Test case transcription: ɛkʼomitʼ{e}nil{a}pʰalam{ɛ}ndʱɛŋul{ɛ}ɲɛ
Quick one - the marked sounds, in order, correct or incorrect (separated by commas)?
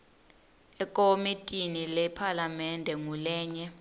incorrect, incorrect, correct, incorrect